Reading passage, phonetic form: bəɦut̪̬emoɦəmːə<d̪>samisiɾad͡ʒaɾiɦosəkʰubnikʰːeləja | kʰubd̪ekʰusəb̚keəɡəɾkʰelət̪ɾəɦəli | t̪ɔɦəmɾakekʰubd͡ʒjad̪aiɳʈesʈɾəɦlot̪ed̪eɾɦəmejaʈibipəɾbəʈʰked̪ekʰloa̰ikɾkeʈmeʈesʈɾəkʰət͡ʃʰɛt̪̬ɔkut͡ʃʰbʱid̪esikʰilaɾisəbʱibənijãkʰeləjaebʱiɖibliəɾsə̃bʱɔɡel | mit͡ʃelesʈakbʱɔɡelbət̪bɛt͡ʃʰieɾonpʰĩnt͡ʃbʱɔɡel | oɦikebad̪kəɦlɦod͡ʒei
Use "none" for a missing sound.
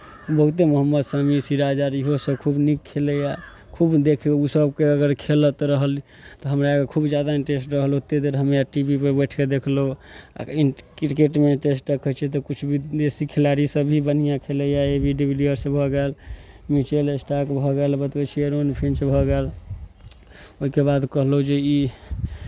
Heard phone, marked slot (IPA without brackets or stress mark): d̪